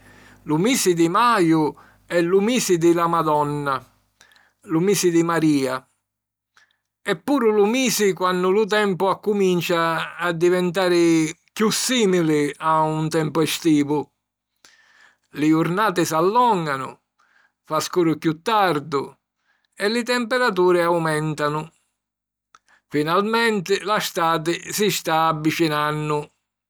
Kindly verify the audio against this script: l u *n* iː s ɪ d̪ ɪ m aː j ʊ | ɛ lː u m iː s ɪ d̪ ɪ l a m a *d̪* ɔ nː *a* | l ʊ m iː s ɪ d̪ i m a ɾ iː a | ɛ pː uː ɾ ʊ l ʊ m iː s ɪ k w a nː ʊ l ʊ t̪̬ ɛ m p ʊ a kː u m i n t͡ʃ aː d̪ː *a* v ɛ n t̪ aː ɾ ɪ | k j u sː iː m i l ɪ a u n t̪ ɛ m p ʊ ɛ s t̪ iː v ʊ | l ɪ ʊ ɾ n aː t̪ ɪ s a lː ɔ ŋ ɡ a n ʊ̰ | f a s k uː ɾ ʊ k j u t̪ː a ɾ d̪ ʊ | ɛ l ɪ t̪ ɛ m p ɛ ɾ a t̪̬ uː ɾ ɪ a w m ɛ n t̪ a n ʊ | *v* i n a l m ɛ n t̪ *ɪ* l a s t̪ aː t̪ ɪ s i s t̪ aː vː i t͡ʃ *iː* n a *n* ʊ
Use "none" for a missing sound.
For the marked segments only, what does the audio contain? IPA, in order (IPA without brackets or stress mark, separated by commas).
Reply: m, d̪, a, i, f, ɪ, i, nː